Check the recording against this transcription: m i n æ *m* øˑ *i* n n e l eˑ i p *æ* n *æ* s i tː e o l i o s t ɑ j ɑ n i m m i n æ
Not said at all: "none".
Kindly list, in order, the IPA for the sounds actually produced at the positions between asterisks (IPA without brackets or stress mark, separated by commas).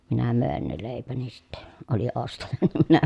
m, e, æ, i